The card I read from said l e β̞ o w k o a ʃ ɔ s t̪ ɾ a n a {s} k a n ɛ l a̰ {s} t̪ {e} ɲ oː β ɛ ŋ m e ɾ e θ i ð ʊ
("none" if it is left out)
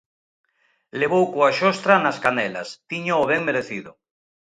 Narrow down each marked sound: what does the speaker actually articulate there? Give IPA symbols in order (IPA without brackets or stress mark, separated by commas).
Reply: s, s, i